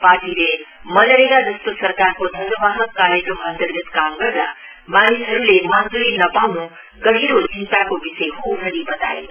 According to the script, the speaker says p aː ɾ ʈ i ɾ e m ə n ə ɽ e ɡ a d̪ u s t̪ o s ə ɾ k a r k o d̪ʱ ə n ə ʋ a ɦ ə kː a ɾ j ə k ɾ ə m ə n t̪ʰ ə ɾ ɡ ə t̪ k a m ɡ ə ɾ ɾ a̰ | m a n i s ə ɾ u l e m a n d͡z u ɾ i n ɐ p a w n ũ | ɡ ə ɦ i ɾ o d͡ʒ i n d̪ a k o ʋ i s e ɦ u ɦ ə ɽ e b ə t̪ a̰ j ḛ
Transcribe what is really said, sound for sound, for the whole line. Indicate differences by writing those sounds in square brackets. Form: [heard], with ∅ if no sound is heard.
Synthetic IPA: p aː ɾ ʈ i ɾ e m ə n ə [ɾ] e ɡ a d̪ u s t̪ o s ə ɾ k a [ɾ] k o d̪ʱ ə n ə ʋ a ɦ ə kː a ɾ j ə k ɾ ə m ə n [t̪] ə ɾ ɡ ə t̪ k a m ɡ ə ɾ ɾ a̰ | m a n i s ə ɾ u l e m a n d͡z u ɾ i n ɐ p a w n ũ | ɡ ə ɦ i ɾ o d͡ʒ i n [t̪] a k o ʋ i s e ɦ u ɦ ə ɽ [i] b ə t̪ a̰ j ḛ